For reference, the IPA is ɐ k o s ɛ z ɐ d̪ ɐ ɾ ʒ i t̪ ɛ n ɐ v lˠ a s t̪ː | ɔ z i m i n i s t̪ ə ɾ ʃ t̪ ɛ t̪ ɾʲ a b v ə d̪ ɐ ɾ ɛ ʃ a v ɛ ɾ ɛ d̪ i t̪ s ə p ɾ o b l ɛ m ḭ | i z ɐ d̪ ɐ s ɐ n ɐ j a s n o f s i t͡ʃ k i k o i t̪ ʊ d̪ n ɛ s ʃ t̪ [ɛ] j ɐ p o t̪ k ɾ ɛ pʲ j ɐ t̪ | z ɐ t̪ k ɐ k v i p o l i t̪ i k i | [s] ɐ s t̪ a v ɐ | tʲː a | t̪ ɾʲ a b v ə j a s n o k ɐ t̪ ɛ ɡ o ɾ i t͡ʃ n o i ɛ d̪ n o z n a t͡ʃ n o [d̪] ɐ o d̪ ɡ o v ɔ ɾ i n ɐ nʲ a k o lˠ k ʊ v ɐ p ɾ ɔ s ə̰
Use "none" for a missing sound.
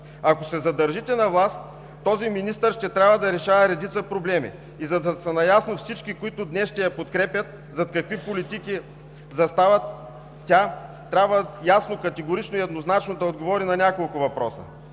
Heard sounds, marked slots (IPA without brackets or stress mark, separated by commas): ɛ, z, d̪